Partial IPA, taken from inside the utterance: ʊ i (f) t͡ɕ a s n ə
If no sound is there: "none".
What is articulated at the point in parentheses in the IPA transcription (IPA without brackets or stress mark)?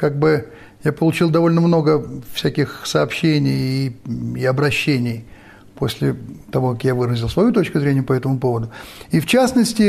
f